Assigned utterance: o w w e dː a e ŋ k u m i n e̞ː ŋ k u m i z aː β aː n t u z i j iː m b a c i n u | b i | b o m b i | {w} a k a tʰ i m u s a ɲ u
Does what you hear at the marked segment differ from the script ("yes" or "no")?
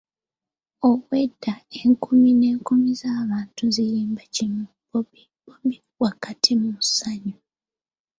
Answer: no